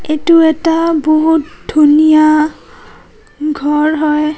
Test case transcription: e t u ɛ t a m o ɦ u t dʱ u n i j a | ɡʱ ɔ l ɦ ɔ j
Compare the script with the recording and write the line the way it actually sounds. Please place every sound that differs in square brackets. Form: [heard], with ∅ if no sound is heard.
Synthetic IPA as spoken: e t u ɛ t a [b] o ɦ u t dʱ u n i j a | ɡʱ ɔ [ɹ] ɦ ɔ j